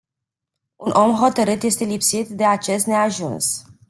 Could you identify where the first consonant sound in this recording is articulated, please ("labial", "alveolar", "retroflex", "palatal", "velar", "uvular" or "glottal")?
alveolar